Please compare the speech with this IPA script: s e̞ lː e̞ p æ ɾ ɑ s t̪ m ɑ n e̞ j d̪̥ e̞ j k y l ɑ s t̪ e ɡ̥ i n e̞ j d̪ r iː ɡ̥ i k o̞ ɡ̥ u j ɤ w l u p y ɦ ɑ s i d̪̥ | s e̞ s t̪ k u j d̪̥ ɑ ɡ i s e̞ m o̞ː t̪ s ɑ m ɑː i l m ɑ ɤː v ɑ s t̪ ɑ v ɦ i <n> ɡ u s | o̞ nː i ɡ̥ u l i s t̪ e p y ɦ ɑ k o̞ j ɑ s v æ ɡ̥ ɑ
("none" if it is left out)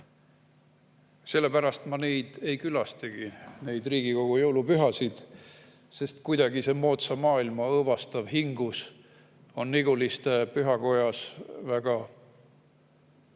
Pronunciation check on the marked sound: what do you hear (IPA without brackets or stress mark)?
ŋ